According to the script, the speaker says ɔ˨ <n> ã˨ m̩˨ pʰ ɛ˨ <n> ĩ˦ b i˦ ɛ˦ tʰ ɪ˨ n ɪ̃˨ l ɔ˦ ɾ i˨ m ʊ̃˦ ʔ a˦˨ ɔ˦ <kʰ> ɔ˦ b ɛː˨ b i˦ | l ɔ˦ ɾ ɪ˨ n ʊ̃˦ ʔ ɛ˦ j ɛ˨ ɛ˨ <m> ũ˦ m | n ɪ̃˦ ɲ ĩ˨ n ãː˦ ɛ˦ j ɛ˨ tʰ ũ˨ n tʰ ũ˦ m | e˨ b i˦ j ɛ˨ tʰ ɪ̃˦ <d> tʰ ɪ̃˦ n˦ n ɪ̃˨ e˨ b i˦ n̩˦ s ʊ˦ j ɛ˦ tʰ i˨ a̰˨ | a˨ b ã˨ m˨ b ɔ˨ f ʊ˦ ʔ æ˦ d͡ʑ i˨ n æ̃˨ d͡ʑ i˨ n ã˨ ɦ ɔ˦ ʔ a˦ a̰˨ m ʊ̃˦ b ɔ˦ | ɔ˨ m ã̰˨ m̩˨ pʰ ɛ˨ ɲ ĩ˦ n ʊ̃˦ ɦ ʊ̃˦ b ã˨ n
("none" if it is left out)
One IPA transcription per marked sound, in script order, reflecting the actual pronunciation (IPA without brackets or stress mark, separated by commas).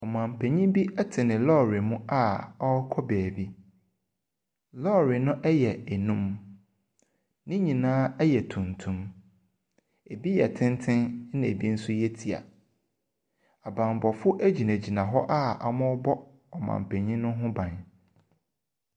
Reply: m, ɲ, kʰ, n, n